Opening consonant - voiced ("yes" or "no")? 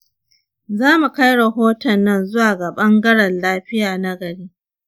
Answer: yes